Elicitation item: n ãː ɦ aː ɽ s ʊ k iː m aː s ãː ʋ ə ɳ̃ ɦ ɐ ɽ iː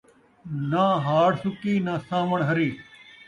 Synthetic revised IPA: n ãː ɦ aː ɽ s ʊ k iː n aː s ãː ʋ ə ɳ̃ ɦ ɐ ɾ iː